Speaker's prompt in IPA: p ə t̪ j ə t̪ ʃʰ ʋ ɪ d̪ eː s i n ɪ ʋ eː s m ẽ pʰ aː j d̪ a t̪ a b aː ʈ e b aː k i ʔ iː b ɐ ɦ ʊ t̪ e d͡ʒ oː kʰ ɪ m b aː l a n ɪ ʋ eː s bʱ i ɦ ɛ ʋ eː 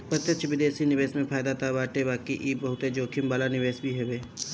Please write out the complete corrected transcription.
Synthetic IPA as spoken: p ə t̪ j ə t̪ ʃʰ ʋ ɪ d̪ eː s i n ɪ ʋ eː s m ẽ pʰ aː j d̪ a t̪ a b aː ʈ e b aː k i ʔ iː b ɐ ɦ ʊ t̪ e d͡ʒ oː kʰ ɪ m b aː l a n ɪ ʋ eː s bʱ i ɦ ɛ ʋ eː